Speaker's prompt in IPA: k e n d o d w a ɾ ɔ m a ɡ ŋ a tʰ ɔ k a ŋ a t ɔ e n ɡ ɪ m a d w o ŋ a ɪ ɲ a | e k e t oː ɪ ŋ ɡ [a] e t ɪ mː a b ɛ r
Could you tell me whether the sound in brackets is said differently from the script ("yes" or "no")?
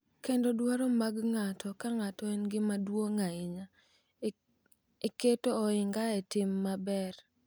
no